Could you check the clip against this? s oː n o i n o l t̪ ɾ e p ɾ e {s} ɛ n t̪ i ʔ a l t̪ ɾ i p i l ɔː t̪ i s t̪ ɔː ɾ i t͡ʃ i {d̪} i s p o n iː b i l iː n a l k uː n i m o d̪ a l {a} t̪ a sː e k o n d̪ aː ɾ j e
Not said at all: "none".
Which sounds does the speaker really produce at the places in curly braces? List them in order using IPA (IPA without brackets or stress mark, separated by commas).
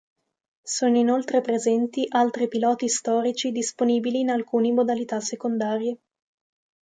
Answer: z, d̪, i